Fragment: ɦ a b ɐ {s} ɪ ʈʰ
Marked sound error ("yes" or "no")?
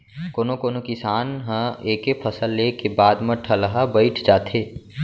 yes